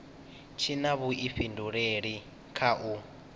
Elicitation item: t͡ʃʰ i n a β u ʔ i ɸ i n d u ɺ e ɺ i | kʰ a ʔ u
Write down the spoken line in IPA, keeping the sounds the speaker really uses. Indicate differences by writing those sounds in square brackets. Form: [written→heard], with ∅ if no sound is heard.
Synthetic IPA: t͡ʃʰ i n a β u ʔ i ɸ i n d u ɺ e ɺ i | kʰ a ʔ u